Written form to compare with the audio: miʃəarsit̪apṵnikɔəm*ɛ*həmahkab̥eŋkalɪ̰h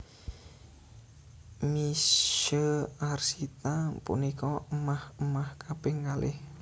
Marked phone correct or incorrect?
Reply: incorrect: a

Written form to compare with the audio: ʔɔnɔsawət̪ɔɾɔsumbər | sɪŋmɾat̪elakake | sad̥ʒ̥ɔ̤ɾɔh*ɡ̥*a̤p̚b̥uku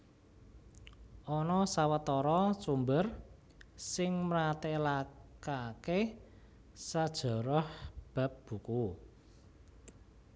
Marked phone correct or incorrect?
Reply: incorrect: b̥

